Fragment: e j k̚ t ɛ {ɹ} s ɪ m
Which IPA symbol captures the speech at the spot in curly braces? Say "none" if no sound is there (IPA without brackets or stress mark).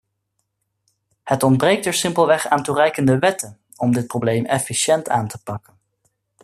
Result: ɹ